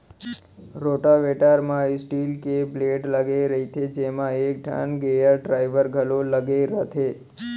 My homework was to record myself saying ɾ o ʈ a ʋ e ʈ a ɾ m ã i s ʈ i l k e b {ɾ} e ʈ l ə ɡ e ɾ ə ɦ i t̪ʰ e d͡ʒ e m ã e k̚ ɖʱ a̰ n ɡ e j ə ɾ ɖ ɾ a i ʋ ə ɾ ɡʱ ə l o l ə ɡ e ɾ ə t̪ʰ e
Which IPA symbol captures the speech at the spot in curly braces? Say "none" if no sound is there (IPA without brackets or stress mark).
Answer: l